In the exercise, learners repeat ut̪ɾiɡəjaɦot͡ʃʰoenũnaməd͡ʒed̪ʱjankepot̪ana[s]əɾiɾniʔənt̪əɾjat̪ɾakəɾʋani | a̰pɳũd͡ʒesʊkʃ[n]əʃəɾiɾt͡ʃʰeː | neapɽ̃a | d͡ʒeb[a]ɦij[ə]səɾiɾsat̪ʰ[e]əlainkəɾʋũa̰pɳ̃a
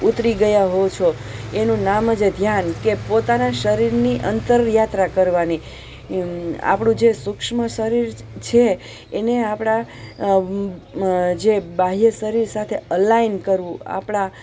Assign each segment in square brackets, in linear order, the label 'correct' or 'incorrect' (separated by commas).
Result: incorrect, incorrect, correct, correct, correct